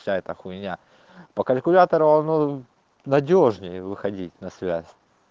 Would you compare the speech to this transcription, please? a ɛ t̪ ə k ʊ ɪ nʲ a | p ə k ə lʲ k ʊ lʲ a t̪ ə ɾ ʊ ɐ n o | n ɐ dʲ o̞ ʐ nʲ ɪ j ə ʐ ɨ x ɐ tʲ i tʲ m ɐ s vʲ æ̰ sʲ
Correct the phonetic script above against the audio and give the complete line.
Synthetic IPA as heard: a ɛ t̪ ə x ʊ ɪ nʲ a | p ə k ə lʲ k ʊ lʲ a t̪ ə ɾ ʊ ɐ n o | n ɐ dʲ o̞ ʐ nʲ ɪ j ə v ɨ x ɐ dʲ i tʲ n ɐ s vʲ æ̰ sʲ